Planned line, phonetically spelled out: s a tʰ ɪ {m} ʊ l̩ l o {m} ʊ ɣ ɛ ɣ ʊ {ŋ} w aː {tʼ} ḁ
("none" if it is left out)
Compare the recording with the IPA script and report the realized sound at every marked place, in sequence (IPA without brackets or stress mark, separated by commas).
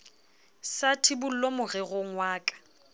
b, m, ŋ, kʼ